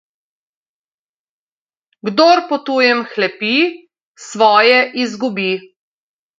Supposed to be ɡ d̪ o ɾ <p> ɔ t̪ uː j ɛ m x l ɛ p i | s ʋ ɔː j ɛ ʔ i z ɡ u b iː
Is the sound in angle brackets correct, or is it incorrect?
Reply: correct